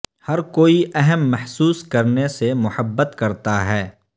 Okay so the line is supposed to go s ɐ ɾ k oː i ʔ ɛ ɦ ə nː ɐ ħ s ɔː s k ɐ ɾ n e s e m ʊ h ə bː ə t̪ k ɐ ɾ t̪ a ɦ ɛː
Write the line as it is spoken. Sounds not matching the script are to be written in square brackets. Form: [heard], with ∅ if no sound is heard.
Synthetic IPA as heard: [h] ɐ ɾ k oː i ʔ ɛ ɦ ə [mː] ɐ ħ s [uː] s k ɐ ɾ n e s e m ʊ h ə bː ə t̪ k ɐ ɾ t̪ a ɦ ɛː